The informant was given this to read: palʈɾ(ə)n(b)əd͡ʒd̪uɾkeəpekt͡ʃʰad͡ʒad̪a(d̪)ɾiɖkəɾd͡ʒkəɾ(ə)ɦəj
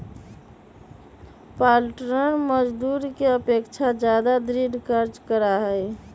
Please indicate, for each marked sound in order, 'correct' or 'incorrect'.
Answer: correct, incorrect: m, correct, incorrect: a

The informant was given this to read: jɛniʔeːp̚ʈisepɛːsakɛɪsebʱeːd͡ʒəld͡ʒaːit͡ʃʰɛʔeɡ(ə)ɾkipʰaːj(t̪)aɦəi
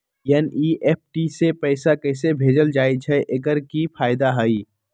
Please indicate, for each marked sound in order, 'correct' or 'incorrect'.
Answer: correct, incorrect: d̪

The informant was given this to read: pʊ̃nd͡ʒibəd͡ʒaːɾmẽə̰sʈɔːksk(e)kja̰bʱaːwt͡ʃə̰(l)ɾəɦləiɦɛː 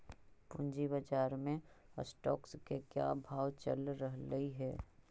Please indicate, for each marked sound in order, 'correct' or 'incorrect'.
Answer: correct, correct

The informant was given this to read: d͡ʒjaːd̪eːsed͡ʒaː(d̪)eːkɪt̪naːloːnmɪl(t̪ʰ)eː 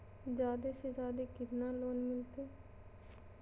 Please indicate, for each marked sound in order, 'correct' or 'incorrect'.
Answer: correct, incorrect: t̪

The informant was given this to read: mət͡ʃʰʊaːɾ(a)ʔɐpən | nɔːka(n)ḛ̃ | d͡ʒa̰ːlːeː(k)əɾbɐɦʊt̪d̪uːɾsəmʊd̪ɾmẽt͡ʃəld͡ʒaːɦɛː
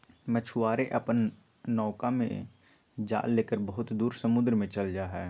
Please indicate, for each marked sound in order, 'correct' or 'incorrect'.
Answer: incorrect: e, incorrect: m, correct

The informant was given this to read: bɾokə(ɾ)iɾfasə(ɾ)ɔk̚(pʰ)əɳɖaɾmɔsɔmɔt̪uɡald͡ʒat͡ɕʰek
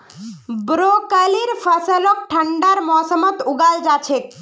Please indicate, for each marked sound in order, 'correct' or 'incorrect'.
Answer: incorrect: l, incorrect: l, incorrect: ʈʰ

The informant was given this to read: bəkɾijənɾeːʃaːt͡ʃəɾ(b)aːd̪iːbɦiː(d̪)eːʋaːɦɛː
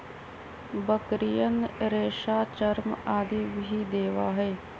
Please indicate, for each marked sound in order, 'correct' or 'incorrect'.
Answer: incorrect: m, correct

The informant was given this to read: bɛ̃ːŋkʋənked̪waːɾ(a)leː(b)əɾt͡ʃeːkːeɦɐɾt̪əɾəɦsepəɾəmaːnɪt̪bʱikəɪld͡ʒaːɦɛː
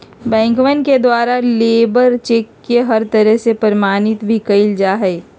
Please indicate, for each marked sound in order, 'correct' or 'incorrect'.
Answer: correct, correct

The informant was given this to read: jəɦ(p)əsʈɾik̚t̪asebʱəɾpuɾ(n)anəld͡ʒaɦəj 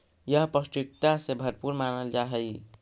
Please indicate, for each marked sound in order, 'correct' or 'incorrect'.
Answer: correct, incorrect: m

